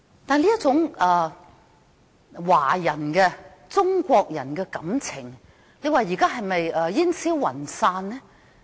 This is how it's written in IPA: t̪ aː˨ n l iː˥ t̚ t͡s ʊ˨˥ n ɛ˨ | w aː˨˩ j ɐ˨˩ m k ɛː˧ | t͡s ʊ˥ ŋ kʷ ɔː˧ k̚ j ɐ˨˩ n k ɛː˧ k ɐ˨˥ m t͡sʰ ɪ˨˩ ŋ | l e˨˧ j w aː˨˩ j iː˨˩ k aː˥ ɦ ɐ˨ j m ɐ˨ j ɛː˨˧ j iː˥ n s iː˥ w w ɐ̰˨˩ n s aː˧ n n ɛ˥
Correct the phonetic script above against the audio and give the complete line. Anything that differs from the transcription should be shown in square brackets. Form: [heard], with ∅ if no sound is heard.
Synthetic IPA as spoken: t̪ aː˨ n l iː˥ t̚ t͡s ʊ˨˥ [ŋ] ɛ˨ | w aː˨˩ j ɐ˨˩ [n] k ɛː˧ | t͡s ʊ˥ ŋ kʷ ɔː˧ k̚ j ɐ˨˩ n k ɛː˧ k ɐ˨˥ m t͡sʰ ɪ˨˩ ŋ | l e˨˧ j w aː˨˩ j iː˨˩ k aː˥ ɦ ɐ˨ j m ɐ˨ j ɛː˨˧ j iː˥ n s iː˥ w w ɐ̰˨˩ n s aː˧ n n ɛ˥